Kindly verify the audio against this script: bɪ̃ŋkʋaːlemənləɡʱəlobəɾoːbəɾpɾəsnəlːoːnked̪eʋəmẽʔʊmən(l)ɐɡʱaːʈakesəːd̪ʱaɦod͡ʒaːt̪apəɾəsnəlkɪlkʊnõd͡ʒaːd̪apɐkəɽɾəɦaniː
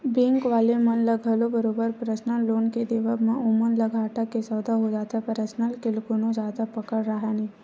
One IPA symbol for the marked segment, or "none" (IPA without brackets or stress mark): l